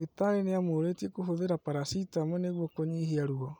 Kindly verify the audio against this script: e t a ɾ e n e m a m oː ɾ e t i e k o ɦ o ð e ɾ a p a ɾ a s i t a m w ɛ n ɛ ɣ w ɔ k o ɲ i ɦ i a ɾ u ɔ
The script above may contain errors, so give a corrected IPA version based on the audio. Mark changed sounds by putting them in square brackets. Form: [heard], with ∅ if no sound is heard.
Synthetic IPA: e t a ɾ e n e [∅] a m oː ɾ e t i e k o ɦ o ð e ɾ a p a ɾ a s i t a m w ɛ n [e] ɣ w ɔ k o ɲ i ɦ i a ɾ u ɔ

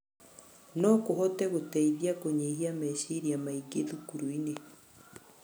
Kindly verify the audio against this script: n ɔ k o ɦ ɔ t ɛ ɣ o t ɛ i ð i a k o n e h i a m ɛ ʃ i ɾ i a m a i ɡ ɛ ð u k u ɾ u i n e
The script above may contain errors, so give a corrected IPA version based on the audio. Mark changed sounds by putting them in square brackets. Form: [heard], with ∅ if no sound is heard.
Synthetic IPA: n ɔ k o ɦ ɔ t ɛ ɣ o t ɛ i ð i a k o [ɲ] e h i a m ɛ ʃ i ɾ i a m a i ɡ [e] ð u k u ɾ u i n e

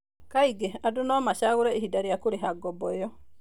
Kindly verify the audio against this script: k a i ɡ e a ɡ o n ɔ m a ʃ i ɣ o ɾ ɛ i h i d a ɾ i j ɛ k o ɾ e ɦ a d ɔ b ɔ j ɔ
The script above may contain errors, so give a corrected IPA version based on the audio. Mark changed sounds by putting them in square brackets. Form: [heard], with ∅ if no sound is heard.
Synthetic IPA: k a i ɡ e a [d] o n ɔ m a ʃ [a] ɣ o ɾ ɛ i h i d a ɾ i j [a] k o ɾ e ɦ a [ɡ] ɔ b ɔ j ɔ

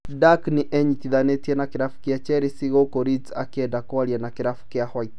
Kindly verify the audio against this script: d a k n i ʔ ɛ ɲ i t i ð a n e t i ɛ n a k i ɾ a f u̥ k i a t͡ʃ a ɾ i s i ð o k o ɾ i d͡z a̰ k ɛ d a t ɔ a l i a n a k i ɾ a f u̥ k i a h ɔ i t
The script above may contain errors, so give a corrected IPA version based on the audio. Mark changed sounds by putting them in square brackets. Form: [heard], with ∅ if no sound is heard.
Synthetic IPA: d a k n i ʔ ɛ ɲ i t i ð a n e t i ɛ n a k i ɾ a f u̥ k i a t͡ʃ [ɛ] ɾ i s i [ɣ] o k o ɾ i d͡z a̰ k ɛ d a [k] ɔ a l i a n a k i ɾ a f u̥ k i a h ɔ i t

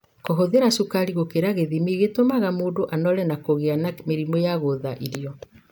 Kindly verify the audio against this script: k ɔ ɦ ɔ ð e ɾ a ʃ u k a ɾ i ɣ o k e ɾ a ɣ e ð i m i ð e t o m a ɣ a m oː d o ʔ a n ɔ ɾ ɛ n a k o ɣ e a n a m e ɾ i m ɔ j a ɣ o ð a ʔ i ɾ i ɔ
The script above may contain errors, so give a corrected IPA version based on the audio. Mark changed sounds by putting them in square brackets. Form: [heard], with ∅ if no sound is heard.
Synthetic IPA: k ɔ ɦ [o] ð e ɾ a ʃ u k a ɾ i ɣ o k e ɾ a ɣ e ð i m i [ɣ] e t o m a ɣ a m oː d o ʔ a n ɔ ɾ ɛ n a k o ɣ e a n a m e ɾ i m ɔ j a ɣ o ð a ʔ i ɾ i ɔ

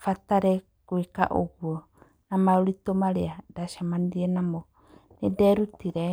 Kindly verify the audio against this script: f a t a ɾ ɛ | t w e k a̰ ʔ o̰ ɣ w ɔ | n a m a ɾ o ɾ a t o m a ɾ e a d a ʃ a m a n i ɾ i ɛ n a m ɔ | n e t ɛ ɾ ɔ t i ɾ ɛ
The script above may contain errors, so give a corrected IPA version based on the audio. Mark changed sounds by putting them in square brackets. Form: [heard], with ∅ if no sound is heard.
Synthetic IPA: f a t a ɾ ɛ | [k] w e k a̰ ʔ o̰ ɣ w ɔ | n a m a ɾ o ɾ [i] t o m a ɾ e a d a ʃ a m a n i ɾ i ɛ n a m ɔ | n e [d] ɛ ɾ [u] t i ɾ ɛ

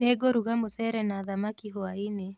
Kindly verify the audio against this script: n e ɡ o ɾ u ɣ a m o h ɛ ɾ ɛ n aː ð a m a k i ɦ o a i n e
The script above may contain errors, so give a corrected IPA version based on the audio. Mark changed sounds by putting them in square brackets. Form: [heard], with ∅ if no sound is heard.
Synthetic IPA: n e ɡ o ɾ u ɣ a m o [s] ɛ ɾ ɛ n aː ð a m a k i ɦ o a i n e

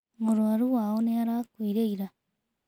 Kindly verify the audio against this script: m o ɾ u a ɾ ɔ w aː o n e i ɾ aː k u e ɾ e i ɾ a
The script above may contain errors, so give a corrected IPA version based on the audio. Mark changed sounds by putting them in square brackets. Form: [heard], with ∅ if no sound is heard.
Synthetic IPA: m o ɾ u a ɾ [u] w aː o n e [a] ɾ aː k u [i] ɾ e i ɾ a

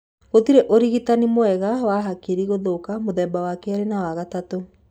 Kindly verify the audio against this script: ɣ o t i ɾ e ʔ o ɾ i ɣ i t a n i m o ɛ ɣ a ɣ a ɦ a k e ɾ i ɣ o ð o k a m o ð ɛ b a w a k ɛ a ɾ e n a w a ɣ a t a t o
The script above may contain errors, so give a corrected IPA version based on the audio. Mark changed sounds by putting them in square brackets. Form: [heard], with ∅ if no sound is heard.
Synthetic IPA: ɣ o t i ɾ e ʔ o ɾ i ɣ i t a n i m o ɛ ɣ a [w] a ɦ a k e ɾ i ɣ o ð o k a m o ð ɛ b a w a k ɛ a ɾ e n a w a ɣ a t a t o

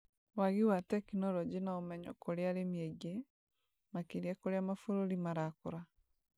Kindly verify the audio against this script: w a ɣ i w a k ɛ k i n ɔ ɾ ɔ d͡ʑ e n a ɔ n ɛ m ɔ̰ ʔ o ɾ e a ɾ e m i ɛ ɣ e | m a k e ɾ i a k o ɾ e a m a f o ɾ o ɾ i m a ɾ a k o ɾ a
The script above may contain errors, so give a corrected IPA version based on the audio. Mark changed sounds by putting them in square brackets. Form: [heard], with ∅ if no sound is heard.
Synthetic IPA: w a ɣ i w a [t] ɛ k i n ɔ ɾ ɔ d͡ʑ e n a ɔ [m] ɛ [ɲ] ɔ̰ [k] o ɾ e a ɾ e m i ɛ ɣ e | m a k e ɾ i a k o ɾ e a m a f o ɾ o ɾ i m a ɾ a k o ɾ a

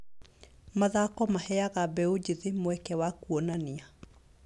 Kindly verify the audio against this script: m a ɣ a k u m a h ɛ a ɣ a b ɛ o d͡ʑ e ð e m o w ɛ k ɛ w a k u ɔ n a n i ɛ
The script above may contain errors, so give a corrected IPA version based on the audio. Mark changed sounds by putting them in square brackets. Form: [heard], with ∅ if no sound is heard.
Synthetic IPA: m a [ð] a k [ɔ] m a h ɛ a ɣ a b ɛ o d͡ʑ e ð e m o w ɛ k ɛ w a k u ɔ n a n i [a]

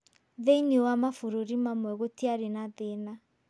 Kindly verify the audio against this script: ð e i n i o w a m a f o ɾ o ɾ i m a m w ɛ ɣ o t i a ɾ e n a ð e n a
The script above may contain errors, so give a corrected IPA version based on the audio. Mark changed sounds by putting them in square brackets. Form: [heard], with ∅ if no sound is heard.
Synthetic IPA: ð e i n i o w a m a f o ɾ o ɾ i m a m w ɛ ɣ o t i a ɾ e n a ð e n a

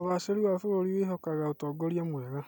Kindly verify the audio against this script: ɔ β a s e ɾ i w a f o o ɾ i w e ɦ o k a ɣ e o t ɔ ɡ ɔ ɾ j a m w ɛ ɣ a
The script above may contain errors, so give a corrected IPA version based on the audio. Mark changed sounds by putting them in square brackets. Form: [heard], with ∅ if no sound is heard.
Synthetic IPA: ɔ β a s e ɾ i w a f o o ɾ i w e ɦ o k a ɣ [a] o t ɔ ɡ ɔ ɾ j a m w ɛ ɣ a

